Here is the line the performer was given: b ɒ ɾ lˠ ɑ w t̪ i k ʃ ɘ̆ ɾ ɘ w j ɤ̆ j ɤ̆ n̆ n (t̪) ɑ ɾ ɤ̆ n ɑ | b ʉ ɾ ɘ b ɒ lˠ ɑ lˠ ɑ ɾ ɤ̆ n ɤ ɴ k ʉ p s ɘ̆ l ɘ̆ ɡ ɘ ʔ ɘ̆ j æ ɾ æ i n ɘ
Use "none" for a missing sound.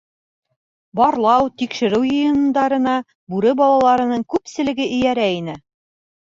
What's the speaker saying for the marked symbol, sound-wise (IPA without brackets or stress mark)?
d̪